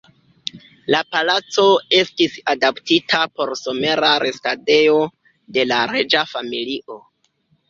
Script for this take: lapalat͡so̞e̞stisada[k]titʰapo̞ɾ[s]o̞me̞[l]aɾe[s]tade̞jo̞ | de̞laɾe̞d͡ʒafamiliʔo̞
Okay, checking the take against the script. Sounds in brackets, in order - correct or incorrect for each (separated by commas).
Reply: incorrect, correct, incorrect, correct